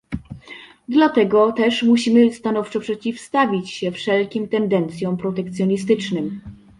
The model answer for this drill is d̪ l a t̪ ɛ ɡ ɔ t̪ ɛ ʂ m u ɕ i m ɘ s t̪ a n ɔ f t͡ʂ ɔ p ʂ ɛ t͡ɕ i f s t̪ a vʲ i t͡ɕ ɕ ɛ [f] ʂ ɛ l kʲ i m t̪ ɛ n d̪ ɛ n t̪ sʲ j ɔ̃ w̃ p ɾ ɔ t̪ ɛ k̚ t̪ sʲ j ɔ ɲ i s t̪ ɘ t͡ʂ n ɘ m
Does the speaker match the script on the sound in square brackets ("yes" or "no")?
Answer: yes